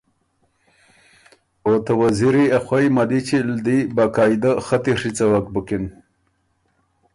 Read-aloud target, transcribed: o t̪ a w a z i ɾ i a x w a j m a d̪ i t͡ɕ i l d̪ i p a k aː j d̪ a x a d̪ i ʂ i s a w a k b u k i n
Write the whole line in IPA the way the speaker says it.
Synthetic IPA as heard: o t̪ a w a z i ɾ i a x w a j m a d̪ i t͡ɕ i l d̪ i b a k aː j d̪ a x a t̪ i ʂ i t͡s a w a k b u k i n